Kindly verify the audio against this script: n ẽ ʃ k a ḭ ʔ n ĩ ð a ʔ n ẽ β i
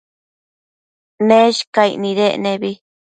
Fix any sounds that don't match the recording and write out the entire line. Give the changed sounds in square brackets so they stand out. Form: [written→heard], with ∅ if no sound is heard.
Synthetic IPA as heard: n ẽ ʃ k a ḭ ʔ n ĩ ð [a→e] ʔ n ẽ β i